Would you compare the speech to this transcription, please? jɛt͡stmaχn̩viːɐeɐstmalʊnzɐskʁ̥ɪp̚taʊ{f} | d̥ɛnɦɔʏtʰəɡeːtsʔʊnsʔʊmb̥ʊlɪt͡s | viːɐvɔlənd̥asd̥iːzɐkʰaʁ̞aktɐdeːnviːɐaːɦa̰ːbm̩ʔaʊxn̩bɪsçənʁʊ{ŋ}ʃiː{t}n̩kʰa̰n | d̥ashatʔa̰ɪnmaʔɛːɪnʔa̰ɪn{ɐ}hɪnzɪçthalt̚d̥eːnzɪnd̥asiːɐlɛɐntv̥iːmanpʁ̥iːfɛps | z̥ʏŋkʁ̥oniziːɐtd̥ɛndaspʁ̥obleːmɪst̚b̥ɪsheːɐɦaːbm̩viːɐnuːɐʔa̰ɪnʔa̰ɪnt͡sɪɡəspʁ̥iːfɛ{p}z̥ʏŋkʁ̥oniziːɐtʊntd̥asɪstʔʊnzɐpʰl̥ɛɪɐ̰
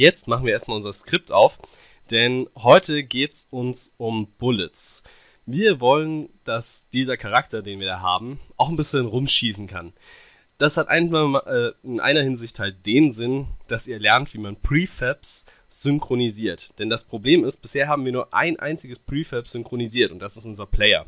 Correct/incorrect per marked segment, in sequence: correct, incorrect: m, incorrect: s, correct, correct

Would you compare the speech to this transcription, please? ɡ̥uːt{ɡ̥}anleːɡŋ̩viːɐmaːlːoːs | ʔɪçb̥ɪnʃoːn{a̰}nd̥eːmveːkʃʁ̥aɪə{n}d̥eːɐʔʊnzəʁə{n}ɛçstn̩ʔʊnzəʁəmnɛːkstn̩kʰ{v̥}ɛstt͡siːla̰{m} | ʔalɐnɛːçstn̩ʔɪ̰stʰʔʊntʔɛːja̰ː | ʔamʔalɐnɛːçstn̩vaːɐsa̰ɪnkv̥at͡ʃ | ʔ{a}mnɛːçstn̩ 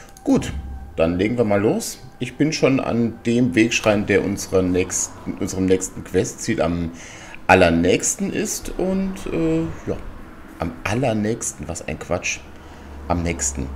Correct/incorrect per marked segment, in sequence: incorrect: d̥, correct, correct, correct, correct, correct, correct

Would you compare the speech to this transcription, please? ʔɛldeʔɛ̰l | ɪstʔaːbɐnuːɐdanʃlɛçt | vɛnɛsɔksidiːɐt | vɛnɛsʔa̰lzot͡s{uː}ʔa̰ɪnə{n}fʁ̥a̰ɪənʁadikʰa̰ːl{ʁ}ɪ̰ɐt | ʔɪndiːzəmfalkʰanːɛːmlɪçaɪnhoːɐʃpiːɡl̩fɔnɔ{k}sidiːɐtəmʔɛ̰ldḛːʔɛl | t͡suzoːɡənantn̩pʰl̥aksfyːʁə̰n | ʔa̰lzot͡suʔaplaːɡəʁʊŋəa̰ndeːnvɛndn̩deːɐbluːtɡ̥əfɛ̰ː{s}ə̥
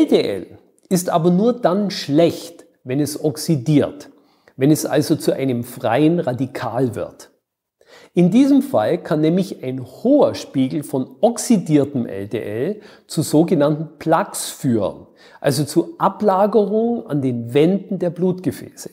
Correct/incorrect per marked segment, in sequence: incorrect: u, incorrect: m, incorrect: v, correct, correct

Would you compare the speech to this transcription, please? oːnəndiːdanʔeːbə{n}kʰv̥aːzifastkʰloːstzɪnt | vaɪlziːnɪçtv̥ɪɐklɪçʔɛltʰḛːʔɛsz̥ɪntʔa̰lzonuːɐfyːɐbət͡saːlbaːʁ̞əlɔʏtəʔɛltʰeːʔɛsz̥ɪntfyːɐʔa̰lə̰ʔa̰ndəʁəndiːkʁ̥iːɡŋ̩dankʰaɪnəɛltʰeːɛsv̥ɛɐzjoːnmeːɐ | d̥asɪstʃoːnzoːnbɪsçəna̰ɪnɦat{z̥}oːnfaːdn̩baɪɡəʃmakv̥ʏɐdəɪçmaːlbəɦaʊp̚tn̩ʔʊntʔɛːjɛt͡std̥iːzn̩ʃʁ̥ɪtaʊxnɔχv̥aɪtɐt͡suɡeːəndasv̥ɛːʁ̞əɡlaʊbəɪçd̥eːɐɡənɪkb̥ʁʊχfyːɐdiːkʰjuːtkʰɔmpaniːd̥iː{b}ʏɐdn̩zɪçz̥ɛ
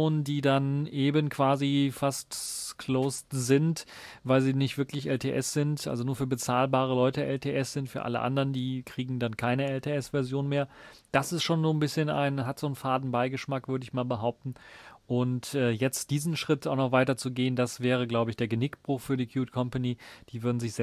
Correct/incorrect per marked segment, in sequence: correct, correct, incorrect: v

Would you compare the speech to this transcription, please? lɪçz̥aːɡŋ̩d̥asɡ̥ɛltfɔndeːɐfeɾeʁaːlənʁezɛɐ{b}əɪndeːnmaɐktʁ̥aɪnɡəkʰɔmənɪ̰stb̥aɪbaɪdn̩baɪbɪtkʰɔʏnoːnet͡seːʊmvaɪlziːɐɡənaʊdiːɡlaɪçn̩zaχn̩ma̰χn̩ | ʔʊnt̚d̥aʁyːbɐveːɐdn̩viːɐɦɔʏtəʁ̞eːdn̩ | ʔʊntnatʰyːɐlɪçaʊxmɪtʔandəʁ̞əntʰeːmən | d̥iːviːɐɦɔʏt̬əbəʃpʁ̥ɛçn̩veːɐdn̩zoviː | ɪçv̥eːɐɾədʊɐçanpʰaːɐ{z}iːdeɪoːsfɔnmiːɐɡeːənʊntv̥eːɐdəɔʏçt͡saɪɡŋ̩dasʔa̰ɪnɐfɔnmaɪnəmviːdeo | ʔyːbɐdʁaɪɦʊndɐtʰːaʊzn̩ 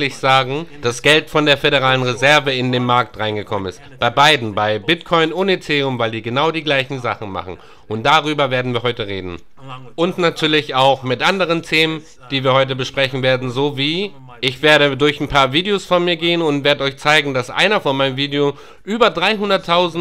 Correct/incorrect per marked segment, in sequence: incorrect: v, incorrect: v

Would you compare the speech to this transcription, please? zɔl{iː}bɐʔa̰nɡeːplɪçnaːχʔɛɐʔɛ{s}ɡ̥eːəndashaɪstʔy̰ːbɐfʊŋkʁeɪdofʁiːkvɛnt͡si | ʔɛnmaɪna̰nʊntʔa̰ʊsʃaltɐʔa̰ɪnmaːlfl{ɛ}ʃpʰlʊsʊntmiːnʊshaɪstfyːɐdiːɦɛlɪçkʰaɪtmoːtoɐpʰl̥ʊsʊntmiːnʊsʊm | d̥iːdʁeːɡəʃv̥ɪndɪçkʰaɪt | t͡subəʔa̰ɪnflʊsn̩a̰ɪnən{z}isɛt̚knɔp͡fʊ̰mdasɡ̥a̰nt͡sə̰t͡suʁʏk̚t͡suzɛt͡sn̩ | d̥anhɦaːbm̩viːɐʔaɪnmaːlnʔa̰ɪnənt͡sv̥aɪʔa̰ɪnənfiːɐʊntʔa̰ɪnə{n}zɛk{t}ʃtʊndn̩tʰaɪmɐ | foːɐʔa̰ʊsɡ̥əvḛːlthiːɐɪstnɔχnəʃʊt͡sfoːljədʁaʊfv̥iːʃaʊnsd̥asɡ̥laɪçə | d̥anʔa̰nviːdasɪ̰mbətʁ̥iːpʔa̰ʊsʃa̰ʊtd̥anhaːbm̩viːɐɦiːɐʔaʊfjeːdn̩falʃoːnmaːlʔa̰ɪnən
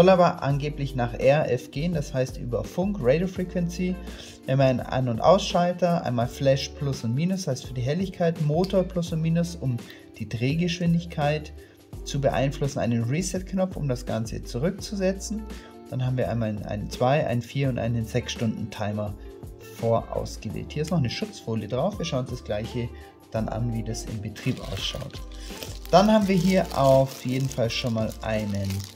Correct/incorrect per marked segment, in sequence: incorrect: aː, incorrect: f, correct, incorrect: ʁ, correct, incorrect: s

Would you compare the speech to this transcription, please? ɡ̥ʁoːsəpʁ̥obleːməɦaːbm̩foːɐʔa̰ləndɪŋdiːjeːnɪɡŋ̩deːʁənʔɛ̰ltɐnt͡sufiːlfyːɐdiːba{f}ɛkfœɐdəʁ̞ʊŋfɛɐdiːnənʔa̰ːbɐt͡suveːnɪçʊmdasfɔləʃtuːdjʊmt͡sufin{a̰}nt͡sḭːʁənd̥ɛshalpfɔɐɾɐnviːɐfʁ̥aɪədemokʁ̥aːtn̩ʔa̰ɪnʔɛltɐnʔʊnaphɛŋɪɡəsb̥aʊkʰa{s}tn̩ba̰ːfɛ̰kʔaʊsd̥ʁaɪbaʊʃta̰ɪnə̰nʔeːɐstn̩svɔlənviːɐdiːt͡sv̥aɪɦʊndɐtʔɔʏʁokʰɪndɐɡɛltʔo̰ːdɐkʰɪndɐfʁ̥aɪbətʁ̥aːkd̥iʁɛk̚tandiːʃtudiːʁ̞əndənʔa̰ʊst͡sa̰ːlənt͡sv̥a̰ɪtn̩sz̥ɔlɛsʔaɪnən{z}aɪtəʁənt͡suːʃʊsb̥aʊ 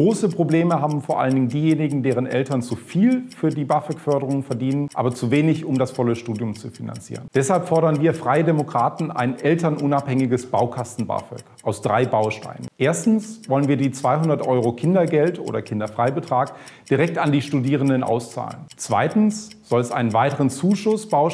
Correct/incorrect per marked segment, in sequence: correct, correct, correct, incorrect: v

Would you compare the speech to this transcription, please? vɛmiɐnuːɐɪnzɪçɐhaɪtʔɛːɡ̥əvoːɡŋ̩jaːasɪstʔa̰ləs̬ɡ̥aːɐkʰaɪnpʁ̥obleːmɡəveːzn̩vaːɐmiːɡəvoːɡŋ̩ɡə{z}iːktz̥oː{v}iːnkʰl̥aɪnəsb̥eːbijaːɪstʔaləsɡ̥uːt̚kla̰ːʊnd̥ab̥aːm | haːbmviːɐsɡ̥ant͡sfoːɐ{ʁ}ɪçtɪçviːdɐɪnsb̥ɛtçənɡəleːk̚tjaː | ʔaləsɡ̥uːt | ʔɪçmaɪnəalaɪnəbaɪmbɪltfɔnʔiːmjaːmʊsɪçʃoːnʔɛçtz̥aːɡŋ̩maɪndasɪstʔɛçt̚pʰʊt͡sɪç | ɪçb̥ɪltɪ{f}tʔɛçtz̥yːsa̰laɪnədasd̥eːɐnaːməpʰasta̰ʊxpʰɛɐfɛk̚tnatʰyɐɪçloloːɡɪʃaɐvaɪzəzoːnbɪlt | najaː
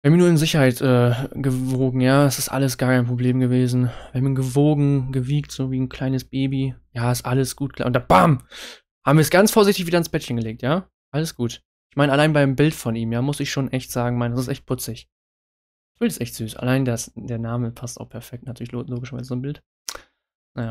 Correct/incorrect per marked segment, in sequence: incorrect: v, correct, incorrect: z, incorrect: s

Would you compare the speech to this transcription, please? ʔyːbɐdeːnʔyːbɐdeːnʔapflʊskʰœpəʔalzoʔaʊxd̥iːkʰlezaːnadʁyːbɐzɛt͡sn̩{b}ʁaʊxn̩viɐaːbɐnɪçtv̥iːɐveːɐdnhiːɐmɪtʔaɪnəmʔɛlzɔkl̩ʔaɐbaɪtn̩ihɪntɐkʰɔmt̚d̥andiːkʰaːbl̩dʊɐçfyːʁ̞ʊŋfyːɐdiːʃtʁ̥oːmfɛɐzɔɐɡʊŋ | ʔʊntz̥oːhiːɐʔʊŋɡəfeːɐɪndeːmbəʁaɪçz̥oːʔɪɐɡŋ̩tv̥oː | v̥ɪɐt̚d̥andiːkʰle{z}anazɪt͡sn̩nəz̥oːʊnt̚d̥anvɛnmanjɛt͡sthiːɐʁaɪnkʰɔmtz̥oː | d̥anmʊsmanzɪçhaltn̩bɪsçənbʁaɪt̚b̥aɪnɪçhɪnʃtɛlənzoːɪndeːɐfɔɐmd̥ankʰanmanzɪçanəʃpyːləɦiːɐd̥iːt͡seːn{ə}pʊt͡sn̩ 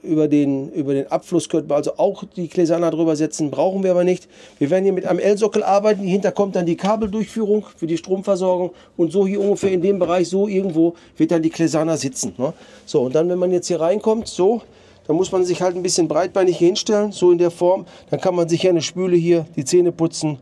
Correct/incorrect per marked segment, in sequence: correct, correct, correct

